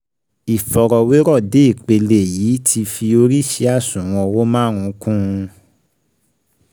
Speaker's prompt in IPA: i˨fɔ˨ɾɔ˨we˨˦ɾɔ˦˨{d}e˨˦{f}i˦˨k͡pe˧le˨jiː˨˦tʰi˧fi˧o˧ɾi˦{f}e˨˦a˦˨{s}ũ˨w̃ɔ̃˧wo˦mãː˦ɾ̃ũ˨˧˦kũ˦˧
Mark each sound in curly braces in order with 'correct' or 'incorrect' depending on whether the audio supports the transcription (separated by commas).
correct, incorrect, incorrect, correct